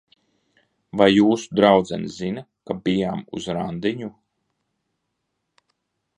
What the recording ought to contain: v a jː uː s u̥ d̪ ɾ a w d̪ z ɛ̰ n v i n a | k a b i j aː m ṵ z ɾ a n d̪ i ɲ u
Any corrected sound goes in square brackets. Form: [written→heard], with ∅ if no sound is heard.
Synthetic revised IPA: v a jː uː s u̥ d̪ ɾ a w d̪ z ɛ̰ n [v→z] i n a | k a b i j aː m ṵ z ɾ a n d̪ i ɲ u